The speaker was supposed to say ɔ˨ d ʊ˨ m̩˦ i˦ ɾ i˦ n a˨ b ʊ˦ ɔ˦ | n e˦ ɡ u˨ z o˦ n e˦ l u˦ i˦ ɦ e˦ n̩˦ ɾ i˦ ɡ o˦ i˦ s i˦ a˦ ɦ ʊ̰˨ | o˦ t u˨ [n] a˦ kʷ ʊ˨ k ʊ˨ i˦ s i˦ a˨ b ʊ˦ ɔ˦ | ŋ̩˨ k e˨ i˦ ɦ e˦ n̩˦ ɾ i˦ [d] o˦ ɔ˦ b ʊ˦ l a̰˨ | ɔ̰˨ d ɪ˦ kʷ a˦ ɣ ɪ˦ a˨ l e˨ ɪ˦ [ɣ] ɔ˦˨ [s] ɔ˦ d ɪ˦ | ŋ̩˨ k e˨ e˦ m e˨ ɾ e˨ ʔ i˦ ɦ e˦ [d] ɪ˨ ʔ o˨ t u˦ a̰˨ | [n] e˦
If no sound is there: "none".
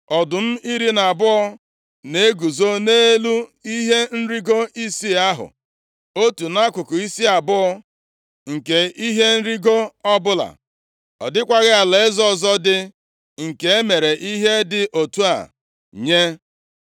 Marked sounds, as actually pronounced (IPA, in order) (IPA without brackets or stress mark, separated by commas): n, ɡ, z, z, d, ɲ